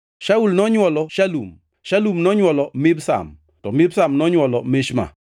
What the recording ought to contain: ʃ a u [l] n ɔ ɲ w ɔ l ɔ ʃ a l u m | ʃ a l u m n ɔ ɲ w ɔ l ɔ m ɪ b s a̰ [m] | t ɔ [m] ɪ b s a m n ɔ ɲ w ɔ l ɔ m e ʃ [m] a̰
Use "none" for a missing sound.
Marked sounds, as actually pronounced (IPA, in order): l, m, m, m

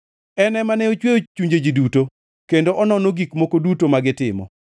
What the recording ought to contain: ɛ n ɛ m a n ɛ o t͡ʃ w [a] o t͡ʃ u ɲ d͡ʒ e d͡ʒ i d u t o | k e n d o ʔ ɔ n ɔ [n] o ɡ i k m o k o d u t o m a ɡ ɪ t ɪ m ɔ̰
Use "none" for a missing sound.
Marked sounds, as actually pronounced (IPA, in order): e, n

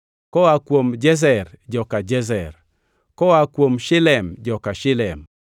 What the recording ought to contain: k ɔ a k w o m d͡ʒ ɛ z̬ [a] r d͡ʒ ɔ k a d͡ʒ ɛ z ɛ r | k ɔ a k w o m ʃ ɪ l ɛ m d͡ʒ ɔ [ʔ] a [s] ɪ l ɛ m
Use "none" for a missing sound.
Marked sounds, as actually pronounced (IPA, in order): ɛ, k, ʃ

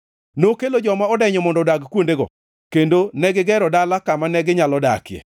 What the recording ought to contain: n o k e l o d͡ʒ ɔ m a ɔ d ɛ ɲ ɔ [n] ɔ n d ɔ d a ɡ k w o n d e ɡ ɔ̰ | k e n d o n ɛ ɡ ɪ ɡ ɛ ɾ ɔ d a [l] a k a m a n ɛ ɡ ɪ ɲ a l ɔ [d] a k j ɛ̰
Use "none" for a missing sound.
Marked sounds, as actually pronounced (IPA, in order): m, l, d

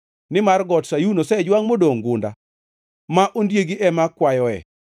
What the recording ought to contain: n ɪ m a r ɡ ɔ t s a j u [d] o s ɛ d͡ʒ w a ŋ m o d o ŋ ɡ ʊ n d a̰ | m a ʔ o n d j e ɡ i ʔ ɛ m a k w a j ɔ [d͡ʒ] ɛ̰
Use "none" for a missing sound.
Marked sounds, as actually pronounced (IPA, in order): n, none

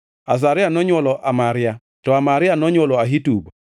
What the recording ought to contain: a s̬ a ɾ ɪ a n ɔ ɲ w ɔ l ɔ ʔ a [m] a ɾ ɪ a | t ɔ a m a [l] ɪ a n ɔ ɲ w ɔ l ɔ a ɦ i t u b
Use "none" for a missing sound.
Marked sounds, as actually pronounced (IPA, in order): m, ɾ

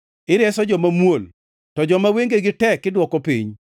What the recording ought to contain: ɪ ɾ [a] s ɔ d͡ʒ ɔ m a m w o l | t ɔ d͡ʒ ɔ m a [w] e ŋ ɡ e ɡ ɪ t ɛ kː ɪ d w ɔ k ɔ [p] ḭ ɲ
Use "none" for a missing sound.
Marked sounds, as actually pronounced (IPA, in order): ɛ, w, p

